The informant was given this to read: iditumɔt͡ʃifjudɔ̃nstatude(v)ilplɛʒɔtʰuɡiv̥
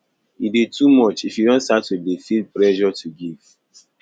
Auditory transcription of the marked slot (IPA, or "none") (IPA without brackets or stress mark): f